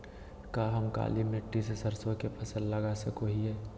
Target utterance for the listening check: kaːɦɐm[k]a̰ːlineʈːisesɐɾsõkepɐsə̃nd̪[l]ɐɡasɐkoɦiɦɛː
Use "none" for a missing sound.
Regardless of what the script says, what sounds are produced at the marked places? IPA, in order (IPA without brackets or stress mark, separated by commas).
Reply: k, l